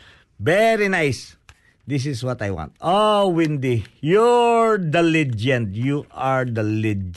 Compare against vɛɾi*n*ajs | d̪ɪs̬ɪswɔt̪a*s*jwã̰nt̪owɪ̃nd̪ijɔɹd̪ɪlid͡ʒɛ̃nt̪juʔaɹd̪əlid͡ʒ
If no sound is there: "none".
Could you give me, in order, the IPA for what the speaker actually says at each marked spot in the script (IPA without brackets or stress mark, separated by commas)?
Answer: n, none